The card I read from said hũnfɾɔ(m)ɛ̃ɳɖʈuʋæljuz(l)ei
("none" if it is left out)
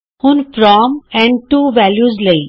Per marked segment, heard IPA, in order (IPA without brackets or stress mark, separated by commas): m, l